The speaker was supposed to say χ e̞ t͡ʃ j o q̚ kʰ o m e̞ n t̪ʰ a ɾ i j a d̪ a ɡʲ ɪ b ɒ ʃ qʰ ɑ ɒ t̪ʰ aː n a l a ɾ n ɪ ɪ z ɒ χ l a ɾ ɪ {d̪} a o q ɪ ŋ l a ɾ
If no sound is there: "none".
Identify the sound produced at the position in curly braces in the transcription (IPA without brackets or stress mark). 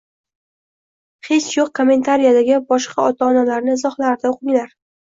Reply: d̪